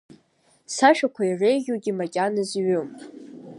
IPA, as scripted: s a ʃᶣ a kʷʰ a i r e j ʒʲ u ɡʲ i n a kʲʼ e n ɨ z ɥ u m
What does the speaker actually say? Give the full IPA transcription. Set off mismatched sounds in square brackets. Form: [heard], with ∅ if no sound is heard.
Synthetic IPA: s a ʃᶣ a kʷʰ a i r e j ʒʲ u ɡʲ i [m] a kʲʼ [a] n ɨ z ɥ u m